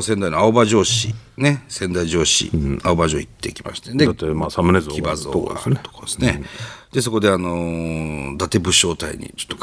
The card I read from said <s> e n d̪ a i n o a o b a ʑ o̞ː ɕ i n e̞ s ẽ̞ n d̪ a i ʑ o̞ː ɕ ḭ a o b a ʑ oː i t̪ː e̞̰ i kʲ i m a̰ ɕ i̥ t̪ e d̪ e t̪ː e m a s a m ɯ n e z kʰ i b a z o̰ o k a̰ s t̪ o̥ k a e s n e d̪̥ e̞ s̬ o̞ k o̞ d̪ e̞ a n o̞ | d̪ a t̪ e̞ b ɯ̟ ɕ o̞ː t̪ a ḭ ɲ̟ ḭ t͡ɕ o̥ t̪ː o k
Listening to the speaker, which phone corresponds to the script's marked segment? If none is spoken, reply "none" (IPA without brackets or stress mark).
s